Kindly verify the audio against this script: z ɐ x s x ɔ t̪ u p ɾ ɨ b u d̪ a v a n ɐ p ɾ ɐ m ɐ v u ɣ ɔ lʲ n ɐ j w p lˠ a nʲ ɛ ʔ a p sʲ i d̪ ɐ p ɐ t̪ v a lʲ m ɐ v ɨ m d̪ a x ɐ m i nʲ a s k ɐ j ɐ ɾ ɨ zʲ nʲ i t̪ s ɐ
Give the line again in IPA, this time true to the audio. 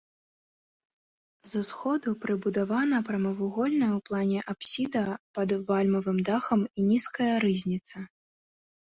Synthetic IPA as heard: z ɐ s x ɔ d̪ u p ɾ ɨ b u d̪ a v a n ɐ p ɾ ɐ m ɐ v u ɣ ɔ lʲ n ɐ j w p lˠ a nʲ ɛ ʔ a p sʲ i d̪ ɐ p ɐ d̪ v a lʲ m ɐ v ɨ m d̪ a x ɐ m i nʲ i s k ɐ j ɐ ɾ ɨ zʲ nʲ i t̪ s ɐ